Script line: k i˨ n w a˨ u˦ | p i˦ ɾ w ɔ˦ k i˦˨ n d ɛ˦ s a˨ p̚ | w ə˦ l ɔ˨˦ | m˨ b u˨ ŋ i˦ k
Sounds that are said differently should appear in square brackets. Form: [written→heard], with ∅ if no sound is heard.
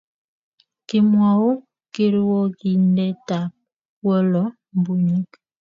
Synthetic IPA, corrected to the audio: k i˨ [n→m] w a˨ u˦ | [p→k] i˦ ɾ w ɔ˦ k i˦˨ n d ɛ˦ [s→t] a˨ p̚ | w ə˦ l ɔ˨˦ | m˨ b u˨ [ŋ→ɲ] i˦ k